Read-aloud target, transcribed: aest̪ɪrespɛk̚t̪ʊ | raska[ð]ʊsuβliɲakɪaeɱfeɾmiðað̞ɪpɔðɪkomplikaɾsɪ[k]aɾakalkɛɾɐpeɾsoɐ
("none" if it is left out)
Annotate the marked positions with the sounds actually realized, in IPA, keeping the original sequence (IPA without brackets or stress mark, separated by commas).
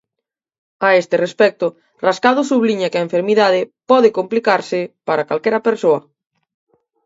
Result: ð, p